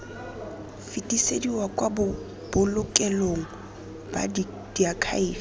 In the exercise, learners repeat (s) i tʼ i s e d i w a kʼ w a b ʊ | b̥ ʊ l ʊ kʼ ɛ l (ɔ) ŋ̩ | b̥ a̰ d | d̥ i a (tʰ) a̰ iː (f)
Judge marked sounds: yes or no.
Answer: no, no, no, yes

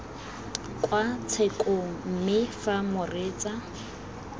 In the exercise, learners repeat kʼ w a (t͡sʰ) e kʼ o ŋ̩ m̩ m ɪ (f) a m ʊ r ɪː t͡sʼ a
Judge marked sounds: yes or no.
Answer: yes, yes

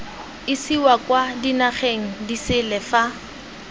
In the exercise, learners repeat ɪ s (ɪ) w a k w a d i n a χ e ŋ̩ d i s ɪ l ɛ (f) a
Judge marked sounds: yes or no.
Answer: no, yes

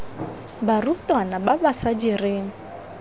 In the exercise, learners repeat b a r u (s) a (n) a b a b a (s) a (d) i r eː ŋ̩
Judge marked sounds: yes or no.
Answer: no, yes, yes, no

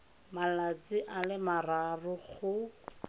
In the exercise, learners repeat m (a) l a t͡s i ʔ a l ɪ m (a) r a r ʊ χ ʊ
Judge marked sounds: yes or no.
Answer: yes, yes

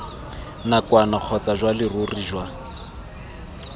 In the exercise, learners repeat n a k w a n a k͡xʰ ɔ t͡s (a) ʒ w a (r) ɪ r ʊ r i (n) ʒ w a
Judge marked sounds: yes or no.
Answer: yes, no, no

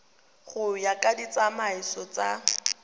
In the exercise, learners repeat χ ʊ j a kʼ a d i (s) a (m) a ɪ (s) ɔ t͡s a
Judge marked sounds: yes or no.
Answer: no, yes, yes

